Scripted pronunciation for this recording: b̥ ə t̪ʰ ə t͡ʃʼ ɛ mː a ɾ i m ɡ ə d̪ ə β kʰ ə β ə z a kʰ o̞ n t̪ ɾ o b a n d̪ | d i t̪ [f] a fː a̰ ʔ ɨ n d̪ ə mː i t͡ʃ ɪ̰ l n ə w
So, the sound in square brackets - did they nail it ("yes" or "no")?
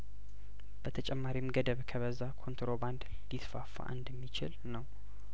yes